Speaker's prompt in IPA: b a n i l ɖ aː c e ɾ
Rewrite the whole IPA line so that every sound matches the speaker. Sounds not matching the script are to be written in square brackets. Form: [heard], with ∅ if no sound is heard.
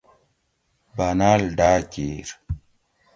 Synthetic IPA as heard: b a n [a] l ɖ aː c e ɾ